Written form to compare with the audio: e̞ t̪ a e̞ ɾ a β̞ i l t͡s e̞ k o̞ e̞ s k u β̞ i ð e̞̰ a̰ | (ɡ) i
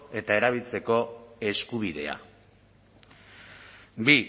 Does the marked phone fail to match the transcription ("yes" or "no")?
yes